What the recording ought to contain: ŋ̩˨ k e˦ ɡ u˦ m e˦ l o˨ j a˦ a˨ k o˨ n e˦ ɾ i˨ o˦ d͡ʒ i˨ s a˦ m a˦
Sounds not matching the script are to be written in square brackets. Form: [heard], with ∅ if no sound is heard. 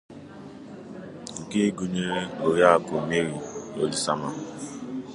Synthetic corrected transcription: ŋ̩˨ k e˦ ɡ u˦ [ɲ] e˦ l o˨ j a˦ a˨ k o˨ [m] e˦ ɾ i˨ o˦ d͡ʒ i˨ s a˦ m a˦